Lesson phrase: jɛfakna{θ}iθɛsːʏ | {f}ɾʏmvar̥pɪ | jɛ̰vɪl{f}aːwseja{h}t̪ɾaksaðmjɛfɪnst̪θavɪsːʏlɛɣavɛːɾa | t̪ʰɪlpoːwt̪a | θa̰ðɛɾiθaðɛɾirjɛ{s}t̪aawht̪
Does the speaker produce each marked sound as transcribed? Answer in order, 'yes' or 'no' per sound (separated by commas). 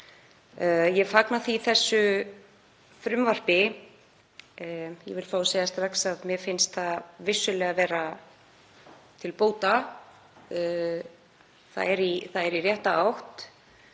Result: yes, yes, yes, no, no